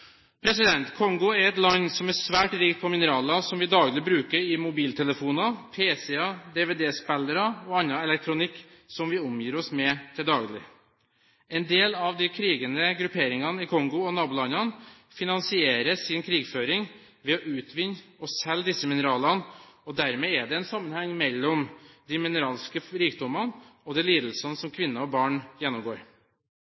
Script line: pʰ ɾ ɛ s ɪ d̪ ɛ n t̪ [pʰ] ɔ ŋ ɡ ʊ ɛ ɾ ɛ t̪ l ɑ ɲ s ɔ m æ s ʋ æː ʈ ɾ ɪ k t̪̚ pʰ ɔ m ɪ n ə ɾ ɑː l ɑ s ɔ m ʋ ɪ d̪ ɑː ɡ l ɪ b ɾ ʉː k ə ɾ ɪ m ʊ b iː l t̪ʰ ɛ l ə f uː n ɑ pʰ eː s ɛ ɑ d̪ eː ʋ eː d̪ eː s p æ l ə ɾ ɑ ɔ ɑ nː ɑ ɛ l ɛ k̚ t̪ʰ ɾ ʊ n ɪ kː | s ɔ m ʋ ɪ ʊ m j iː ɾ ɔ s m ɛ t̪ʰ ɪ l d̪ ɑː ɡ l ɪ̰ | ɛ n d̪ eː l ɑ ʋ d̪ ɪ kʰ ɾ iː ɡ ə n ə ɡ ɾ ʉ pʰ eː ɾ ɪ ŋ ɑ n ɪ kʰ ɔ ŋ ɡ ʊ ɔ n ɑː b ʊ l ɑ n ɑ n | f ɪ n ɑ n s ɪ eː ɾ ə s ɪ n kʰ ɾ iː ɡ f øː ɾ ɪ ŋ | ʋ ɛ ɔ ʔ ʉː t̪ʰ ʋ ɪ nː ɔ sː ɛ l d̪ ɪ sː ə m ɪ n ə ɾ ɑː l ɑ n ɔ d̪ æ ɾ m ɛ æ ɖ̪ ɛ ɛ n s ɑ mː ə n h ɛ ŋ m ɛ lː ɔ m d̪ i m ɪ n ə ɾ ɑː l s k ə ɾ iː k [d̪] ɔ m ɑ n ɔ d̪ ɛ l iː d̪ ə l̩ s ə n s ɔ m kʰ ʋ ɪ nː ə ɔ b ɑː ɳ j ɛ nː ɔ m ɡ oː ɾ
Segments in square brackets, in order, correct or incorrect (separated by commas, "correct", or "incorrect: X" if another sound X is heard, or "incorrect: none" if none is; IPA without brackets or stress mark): incorrect: kʰ, correct